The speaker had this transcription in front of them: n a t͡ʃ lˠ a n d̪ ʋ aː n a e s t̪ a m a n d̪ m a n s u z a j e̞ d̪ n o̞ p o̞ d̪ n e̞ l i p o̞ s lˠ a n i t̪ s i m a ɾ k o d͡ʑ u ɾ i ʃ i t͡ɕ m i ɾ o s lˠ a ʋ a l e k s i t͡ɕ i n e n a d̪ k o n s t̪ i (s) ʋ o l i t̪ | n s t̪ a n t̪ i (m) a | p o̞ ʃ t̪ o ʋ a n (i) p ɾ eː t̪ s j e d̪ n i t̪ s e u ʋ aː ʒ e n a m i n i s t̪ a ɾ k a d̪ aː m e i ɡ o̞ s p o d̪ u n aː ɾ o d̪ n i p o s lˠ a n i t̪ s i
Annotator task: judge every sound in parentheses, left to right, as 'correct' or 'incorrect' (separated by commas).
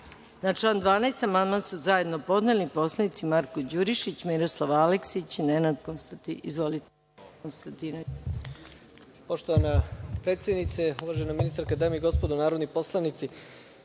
incorrect, incorrect, incorrect